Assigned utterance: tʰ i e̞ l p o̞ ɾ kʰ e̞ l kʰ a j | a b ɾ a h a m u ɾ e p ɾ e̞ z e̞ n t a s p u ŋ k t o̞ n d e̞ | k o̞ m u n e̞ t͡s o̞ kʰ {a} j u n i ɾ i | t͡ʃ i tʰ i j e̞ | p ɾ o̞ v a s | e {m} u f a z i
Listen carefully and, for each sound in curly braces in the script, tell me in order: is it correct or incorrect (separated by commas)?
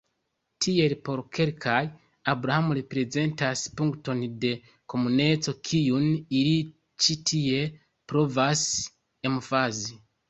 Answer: incorrect, correct